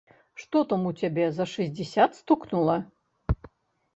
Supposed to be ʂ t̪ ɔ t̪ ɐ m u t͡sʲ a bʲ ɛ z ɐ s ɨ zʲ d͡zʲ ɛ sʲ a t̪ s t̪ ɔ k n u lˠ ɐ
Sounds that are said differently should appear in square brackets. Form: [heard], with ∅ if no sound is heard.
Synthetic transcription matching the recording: ʂ t̪ ɔ t̪ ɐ m u t͡sʲ a bʲ ɛ z ɐ [ʂ] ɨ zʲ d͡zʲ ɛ sʲ a t̪ s t̪ [u] k n u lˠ ɐ